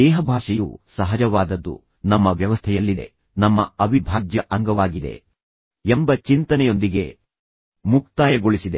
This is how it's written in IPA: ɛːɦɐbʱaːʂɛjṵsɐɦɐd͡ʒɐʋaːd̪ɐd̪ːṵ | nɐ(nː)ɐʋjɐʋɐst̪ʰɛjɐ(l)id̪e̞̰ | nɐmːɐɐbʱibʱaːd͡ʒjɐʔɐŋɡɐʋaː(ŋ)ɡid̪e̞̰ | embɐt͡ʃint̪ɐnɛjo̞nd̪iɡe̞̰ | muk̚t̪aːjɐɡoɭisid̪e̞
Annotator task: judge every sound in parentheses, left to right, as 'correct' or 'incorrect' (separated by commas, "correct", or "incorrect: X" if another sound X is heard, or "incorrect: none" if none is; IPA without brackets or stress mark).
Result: incorrect: mː, incorrect: lː, incorrect: none